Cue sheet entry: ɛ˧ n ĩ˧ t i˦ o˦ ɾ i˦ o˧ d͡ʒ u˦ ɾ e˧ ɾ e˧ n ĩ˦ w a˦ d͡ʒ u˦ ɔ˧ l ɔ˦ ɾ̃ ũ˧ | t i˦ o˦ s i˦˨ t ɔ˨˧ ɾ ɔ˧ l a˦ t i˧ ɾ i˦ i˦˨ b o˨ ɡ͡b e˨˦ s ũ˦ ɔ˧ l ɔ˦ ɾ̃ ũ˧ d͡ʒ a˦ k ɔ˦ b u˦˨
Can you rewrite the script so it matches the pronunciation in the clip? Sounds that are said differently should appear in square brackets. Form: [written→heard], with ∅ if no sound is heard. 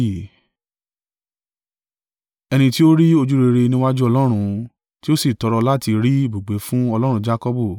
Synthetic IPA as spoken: ɛ˧ n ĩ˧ t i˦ o˦ ɾ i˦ o˧ d͡ʒ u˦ ɾ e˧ ɾ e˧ n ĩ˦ w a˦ d͡ʒ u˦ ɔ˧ l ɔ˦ ɾ̃ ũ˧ | t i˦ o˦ s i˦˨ t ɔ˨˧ ɾ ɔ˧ l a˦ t i˧ ɾ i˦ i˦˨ b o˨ ɡ͡b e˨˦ [s→f] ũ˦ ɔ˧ l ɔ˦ ɾ̃ ũ˧ d͡ʒ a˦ k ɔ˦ b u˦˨